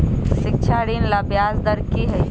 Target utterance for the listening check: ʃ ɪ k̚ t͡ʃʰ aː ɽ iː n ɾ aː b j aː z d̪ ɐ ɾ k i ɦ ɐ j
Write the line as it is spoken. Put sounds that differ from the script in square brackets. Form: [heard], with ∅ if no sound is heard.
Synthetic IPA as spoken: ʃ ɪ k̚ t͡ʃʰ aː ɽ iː n [l] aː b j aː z d̪ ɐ ɾ k i ɦ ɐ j

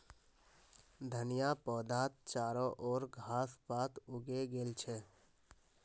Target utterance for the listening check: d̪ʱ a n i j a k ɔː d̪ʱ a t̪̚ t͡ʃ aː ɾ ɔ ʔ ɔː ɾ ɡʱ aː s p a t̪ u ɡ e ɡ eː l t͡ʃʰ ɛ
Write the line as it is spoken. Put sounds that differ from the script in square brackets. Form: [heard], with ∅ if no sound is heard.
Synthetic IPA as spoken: d̪ʱ [ə] n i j a [p] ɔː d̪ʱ a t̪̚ t͡ʃ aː ɾ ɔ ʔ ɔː ɾ ɡʱ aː s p a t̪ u ɡ e ɡ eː l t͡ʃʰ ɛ

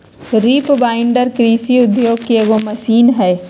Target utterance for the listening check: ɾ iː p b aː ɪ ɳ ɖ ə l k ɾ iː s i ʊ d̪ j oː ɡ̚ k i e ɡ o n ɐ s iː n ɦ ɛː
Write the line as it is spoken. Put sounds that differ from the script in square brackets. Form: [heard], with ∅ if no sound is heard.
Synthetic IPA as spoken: ɾ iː p b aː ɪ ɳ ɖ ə [ɾ] k ɾ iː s i ʊ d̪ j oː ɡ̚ k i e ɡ o [m] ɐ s iː n ɦ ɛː

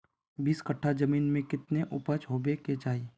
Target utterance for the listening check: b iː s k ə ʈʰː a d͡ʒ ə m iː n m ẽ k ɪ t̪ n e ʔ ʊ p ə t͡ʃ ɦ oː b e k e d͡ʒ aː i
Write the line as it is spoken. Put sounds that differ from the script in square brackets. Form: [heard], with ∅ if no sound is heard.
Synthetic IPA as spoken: b iː s k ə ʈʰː a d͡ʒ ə m iː n m ẽ k ɪ t̪ n e ʔ ʊ p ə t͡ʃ ɦ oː b e k e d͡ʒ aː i

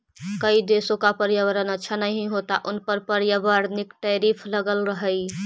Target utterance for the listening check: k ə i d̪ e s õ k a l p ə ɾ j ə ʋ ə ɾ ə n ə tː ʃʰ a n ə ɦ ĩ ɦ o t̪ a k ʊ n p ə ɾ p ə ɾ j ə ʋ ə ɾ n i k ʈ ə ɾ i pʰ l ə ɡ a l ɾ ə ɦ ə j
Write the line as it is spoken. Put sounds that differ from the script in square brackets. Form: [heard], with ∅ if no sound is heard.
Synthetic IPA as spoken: k ə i d̪ e s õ k a [∅] p ə ɾ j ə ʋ ə ɾ ə n ə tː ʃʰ a n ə ɦ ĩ ɦ o t̪ a [ʔ] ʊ n p ə ɾ p ə ɾ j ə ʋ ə ɾ n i k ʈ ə ɾ i pʰ l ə ɡ [ə] l ɾ ə ɦ ə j

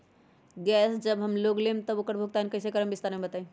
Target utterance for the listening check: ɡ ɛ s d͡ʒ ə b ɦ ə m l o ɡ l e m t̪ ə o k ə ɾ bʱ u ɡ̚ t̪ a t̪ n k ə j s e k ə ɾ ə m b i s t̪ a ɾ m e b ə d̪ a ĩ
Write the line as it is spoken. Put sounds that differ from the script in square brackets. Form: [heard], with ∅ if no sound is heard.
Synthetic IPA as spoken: ɡ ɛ s d͡ʒ ə b ɦ ə m l o ɡ l e m t̪ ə o k ə ɾ bʱ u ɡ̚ t̪ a [∅] n k ə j s e k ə ɾ ə m b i s t̪ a ɾ m e b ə [t̪] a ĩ

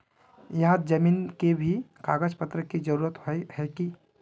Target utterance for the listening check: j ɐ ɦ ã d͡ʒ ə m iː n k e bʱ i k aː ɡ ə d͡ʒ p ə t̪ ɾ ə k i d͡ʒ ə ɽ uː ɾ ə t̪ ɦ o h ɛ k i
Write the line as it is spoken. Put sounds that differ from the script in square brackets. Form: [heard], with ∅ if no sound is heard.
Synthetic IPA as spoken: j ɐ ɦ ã d͡ʒ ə m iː n k e bʱ i k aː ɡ ə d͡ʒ p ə t̪ ɾ ə k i d͡ʒ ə [ɾ] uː ɾ ə t̪ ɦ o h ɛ k i

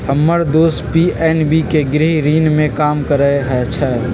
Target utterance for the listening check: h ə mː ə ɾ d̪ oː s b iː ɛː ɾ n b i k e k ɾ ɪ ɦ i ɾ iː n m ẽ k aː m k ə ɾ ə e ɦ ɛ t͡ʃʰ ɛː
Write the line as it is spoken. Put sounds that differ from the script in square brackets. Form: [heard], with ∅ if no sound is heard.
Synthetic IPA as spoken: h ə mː ə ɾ d̪ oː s [p] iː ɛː [∅] n b i k e [ɡ] ɾ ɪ ɦ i ɾ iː n m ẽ k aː m k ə ɾ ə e ɦ ɛ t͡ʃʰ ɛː

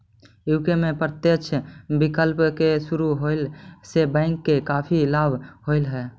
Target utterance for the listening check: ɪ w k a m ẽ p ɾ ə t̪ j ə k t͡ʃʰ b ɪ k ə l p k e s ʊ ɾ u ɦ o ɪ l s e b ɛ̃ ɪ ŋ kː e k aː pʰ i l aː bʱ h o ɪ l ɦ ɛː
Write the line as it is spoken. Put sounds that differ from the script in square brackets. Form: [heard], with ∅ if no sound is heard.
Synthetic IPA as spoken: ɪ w k [e] m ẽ p ɾ ə t̪ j ə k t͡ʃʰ b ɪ k ə l p k e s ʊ ɾ u ɦ o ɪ l s e b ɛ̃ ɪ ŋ kː e k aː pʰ i l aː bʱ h o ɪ l ɦ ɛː

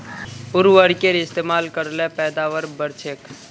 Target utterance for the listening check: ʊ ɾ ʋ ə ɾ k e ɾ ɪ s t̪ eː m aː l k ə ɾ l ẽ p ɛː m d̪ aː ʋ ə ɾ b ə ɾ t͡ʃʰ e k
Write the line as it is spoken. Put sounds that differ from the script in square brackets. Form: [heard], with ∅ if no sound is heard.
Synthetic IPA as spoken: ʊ ɾ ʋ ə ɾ k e ɾ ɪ s t̪ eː m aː l k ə ɾ l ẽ p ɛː [∅] d̪ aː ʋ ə ɾ b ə ɾ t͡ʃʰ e k

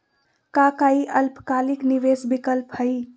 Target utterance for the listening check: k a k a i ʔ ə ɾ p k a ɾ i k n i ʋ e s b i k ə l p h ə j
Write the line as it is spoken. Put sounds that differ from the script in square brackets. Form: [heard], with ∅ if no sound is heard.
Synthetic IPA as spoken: k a k a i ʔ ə [l] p k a [l] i k n i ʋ e s b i k ə l p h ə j

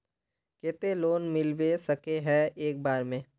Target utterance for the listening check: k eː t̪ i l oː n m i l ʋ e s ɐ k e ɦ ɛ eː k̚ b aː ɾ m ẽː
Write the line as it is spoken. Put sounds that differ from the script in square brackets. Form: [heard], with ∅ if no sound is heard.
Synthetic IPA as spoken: k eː t̪ [e] l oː n m [ɪ] l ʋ e s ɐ k e ɦ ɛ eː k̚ b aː ɾ m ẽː

